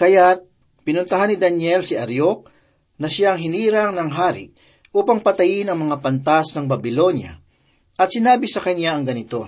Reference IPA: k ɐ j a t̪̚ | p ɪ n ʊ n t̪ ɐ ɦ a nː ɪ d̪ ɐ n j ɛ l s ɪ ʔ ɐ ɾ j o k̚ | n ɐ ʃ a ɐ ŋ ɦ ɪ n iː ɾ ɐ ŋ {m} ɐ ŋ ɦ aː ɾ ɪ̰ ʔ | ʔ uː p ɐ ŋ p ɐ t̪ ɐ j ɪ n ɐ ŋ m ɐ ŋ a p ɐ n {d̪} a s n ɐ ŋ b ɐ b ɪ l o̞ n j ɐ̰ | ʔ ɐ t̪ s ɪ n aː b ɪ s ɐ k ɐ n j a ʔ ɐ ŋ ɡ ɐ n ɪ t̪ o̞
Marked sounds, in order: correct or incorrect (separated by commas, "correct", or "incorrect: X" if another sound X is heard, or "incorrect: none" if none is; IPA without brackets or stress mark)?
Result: incorrect: n, incorrect: t̪